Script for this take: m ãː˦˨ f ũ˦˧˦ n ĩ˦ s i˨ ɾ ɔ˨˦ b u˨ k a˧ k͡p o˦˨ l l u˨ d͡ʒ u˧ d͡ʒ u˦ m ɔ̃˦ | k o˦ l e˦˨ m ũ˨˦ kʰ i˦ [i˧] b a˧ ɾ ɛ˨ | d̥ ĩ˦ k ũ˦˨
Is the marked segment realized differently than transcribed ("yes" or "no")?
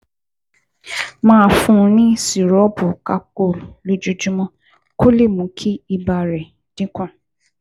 no